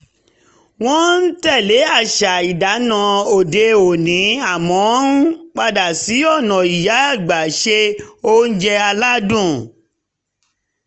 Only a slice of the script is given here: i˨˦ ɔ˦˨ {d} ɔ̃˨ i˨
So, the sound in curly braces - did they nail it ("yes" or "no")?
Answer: no